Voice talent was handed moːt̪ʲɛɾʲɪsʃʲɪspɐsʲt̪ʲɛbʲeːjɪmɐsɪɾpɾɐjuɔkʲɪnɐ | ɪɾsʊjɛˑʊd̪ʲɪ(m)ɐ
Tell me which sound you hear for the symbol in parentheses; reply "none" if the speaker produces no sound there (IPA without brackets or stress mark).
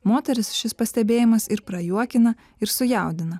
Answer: n